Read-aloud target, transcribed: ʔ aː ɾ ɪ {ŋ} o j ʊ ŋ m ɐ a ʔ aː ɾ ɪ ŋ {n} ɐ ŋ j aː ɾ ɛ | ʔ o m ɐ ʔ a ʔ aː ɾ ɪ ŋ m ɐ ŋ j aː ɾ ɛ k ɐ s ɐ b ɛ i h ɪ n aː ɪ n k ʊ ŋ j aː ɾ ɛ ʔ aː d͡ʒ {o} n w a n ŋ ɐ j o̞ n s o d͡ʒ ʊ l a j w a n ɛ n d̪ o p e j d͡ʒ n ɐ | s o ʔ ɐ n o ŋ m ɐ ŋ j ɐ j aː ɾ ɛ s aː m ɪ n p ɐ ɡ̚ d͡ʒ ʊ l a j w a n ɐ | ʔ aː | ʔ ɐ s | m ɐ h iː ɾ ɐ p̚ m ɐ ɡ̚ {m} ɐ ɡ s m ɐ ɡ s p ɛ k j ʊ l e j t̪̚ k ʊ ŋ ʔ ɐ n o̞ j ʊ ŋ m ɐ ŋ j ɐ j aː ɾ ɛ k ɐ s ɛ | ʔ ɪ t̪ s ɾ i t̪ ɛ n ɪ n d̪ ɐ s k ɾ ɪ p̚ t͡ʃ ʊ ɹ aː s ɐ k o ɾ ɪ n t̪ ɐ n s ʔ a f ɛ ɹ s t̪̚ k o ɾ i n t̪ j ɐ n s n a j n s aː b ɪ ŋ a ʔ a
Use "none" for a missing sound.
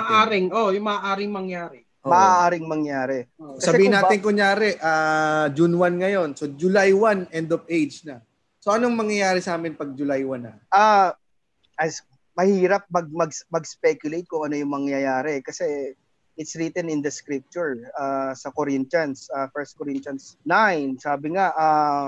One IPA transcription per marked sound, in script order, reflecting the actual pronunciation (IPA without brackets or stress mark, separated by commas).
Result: ŋ, m, u, m